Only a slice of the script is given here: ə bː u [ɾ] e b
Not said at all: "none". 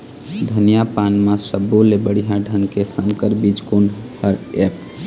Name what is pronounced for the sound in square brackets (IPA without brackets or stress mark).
l